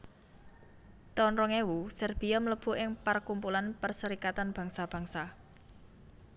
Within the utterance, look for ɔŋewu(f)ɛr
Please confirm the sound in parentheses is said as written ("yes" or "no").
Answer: no